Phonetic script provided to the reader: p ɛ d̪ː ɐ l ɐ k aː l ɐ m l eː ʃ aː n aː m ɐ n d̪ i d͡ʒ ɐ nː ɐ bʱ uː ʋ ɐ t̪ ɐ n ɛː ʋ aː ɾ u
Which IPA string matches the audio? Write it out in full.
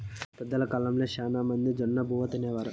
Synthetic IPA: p ɛ d̪ː ɐ l ɐ k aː l ɐ m l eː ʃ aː n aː m ɐ n d̪ i d͡ʒ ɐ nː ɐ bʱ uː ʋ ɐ t̪ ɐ n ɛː ʋ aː ɾ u